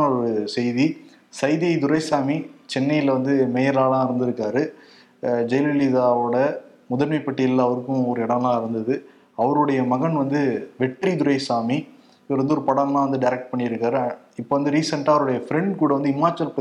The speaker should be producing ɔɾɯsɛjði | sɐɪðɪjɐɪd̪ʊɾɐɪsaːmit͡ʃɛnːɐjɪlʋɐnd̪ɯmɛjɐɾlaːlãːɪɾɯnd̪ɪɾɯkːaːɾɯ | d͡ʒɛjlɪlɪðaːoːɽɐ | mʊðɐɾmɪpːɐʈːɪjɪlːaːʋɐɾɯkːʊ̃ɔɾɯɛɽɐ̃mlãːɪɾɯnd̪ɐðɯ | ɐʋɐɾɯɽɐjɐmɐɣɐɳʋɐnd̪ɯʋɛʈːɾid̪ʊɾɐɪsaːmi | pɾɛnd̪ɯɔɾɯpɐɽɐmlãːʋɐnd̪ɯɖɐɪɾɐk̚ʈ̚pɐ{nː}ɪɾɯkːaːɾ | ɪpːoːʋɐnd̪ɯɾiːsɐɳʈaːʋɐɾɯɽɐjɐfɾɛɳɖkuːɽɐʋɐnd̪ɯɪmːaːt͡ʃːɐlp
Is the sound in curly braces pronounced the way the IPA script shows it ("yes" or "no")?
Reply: no